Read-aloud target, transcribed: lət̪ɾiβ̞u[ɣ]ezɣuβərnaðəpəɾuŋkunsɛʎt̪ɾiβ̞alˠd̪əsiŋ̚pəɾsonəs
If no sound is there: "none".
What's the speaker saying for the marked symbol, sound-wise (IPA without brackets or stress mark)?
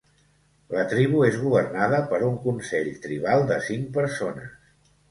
none